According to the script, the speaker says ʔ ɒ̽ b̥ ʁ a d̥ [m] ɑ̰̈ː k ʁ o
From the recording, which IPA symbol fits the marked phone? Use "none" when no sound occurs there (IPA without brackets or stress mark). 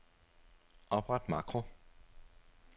m